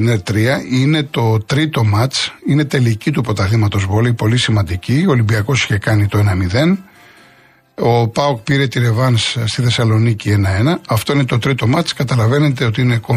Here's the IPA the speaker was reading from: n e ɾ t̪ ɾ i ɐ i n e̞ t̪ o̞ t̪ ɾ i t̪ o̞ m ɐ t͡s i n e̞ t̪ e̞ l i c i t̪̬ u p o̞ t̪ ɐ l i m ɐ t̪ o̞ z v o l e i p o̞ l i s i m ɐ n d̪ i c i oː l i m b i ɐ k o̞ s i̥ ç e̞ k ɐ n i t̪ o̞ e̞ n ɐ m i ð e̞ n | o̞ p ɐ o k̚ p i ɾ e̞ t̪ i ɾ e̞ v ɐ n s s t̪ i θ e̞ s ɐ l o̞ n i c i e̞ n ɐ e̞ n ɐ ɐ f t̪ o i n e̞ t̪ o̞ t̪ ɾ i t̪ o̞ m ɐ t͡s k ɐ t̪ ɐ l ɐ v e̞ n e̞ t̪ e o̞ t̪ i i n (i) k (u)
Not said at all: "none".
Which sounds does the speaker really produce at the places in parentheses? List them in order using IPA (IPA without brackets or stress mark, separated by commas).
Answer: e, o